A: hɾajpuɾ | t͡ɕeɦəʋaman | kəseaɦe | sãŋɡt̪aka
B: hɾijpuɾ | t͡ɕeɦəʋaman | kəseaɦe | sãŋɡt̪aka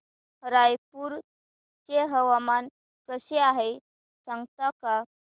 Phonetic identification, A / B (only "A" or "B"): A